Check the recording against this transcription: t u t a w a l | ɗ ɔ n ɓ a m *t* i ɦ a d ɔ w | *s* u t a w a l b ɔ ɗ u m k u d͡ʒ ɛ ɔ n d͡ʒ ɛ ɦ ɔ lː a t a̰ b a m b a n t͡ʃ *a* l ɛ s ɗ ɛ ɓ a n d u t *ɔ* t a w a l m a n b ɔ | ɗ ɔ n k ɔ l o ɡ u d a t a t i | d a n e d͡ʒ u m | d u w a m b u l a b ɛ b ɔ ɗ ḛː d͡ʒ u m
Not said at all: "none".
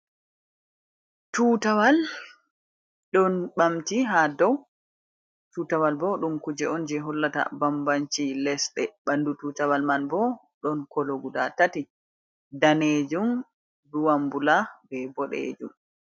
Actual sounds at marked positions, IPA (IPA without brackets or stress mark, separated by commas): t, t, i, u